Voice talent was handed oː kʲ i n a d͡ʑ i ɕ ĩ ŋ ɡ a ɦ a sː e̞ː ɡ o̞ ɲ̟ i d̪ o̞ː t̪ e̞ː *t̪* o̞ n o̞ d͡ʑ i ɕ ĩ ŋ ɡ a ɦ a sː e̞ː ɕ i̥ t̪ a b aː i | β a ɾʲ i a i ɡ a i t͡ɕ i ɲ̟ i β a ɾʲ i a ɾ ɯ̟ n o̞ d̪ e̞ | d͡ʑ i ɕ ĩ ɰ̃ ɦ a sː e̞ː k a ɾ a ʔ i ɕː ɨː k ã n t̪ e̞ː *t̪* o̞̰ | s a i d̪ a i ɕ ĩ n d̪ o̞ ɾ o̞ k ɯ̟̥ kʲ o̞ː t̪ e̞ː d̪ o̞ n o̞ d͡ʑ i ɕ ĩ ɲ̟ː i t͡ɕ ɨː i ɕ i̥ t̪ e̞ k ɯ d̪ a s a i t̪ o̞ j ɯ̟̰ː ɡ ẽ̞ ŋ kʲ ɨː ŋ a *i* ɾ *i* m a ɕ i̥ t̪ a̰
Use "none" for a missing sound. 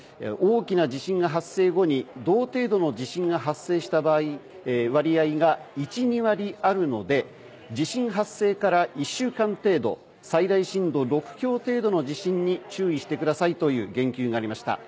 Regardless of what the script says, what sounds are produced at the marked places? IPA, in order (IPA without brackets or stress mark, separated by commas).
d̪, d̪, a, i